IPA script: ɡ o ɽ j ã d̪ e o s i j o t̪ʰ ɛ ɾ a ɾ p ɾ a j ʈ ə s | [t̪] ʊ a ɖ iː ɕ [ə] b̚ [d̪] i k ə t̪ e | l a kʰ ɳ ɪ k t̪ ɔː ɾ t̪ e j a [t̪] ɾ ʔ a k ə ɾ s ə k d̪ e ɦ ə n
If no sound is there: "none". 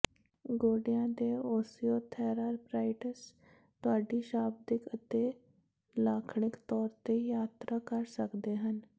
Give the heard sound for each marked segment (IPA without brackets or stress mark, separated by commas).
t̪, a, d̪, t̪